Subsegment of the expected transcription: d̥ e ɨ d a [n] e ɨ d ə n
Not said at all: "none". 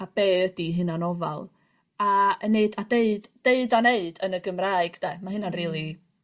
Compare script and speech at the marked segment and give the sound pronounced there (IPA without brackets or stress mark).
n